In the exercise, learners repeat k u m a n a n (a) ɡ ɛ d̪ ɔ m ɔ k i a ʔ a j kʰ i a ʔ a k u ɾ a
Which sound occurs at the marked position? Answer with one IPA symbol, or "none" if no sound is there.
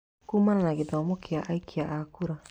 a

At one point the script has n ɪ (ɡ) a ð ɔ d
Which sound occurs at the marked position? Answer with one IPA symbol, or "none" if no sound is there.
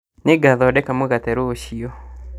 ɡ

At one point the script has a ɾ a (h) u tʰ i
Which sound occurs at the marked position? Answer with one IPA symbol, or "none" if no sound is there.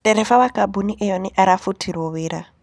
f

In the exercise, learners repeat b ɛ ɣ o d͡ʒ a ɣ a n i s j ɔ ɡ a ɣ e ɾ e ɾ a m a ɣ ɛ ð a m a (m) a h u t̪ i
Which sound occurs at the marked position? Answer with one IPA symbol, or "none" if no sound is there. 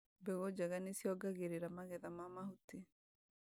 m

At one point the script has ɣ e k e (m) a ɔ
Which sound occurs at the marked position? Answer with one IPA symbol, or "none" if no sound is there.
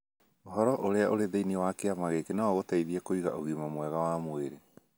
n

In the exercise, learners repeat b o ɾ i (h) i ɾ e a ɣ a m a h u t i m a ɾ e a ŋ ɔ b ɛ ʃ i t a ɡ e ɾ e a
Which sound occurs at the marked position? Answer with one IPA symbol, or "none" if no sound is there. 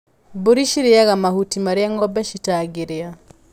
ʃ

